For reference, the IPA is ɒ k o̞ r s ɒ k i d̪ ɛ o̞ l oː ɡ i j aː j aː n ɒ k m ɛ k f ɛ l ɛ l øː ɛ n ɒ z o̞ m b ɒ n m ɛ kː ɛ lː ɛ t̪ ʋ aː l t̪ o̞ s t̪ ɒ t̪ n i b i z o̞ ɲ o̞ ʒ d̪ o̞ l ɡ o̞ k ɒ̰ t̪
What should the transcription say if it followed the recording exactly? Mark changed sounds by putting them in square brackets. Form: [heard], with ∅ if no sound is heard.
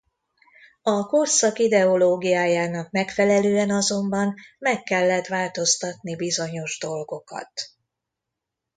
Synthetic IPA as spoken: ɒ k o̞ r s ɒ k i d̪ ɛ o̞ l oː ɡ i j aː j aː n ɒ k m ɛ k f ɛ l ɛ l øː ɛ n ɒ z o̞ m b ɒ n m ɛ kː ɛ lː ɛ t̪ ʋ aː l t̪ o̞ s t̪ ɒ t̪ n i b i z o̞ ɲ o̞ ʒ d̪ o̞ l ɡ o̞ k ɒ̰ t̪